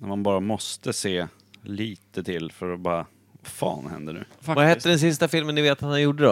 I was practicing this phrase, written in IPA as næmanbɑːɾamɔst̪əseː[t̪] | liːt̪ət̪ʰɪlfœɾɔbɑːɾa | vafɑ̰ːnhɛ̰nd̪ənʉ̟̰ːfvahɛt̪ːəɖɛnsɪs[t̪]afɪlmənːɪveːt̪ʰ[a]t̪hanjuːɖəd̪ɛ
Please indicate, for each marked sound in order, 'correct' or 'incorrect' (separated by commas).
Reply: incorrect, correct, correct